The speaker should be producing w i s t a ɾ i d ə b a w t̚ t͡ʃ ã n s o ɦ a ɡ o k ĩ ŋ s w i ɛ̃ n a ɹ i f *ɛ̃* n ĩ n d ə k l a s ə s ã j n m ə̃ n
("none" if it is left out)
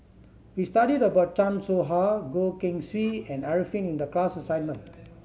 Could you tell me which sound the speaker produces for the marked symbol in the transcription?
ĩ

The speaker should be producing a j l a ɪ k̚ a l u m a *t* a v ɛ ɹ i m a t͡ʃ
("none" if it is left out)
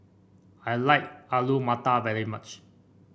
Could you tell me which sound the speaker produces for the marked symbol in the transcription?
t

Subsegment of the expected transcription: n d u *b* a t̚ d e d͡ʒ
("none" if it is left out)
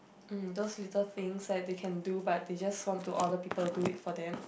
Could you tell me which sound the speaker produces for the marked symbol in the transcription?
b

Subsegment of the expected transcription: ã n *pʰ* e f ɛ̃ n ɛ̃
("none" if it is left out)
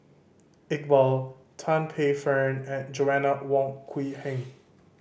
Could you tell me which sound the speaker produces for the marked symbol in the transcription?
pʰ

